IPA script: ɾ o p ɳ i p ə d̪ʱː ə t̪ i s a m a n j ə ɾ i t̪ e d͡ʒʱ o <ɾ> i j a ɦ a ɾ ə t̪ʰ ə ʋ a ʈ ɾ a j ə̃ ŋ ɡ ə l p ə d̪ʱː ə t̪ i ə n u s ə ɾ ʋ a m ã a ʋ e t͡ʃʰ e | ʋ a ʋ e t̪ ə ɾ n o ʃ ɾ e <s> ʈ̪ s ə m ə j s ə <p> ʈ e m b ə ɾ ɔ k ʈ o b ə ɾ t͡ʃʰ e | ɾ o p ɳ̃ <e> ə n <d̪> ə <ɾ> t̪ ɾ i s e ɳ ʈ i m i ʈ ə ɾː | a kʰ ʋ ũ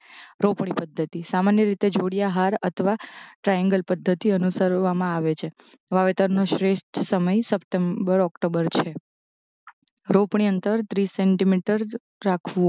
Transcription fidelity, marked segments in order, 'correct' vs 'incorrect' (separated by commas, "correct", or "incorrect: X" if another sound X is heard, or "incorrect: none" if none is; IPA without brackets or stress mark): incorrect: ɽ, incorrect: ʃ, correct, incorrect: i, incorrect: t̪, correct